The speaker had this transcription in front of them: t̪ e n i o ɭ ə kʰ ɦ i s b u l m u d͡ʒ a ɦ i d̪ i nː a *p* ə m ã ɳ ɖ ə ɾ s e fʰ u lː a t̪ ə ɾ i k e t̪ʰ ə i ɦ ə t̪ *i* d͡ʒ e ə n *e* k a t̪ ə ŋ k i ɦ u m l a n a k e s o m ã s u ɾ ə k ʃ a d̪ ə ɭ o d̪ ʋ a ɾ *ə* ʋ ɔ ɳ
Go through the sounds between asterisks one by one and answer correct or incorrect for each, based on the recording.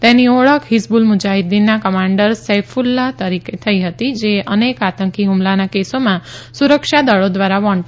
incorrect: k, correct, correct, incorrect: a

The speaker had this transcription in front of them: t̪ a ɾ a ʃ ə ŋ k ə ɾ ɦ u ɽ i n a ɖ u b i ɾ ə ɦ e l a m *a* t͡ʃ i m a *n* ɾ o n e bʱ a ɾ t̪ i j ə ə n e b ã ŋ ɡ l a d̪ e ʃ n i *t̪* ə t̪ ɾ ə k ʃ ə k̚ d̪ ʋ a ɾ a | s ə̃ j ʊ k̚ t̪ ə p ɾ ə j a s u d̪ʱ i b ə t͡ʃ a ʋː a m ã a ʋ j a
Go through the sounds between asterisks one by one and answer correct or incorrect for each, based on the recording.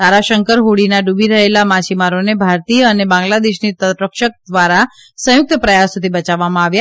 correct, incorrect: none, correct

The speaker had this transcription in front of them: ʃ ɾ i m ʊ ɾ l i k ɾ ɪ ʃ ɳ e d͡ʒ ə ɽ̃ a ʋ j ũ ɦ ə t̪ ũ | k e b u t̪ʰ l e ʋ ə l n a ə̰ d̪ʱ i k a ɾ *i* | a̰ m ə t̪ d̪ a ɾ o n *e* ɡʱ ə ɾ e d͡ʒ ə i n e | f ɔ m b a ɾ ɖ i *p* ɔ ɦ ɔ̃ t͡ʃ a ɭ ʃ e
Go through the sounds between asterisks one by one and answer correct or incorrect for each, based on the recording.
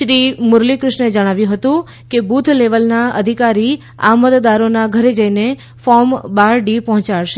correct, incorrect: a, correct

